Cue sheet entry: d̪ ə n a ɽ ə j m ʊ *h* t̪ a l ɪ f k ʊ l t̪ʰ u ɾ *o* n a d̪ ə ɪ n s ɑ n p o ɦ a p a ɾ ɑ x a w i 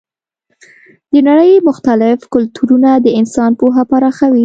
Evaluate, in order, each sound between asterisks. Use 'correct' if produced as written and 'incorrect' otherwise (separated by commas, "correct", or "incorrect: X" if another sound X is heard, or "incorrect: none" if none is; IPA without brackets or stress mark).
incorrect: x, incorrect: u